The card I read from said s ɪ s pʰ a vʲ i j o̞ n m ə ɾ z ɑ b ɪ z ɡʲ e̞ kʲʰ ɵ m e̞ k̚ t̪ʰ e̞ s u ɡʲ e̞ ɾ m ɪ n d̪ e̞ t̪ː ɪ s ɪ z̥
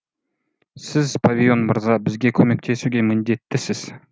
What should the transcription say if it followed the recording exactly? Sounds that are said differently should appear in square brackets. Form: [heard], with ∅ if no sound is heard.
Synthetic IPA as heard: s ɪ [z] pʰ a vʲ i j o̞ n m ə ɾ z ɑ b ɪ z ɡʲ e̞ kʲʰ ɵ m e̞ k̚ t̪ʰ e̞ s u ɡʲ e̞ [∅] m ɪ n d̪ e̞ t̪ː ɪ s ɪ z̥